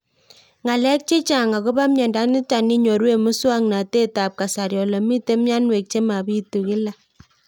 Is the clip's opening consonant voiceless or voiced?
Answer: voiced